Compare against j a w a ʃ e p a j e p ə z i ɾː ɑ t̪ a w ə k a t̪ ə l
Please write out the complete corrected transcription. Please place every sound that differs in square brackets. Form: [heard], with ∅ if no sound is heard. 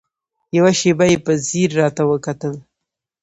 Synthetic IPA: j a w a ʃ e [b] a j e p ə z i ɾː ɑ t̪ a w ə k a t̪ ə l